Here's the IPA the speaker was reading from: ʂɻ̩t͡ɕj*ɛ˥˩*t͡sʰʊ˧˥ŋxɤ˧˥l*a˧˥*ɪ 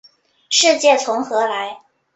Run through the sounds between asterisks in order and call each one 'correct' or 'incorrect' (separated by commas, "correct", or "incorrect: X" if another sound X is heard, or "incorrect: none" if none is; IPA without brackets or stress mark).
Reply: correct, correct